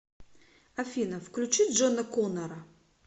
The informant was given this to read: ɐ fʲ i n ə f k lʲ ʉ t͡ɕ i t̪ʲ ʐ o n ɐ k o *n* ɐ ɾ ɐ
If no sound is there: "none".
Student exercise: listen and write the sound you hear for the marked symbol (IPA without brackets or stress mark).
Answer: n